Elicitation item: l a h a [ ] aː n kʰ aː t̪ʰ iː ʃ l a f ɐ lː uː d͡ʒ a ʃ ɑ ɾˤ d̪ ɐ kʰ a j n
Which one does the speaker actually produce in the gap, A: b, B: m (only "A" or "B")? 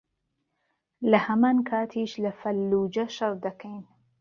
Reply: B